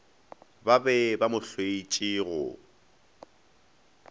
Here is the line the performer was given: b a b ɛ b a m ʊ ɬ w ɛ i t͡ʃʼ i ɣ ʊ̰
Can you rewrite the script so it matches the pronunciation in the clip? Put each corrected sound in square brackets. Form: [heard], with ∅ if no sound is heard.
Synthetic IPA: b a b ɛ b a m ʊ ɬ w [e] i t͡ʃʼ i ɣ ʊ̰